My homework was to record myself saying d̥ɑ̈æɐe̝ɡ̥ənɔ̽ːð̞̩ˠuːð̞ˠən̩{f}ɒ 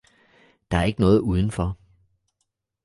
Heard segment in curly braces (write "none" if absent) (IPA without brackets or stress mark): f